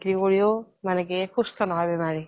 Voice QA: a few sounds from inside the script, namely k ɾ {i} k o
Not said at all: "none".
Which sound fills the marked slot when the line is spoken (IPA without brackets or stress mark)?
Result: i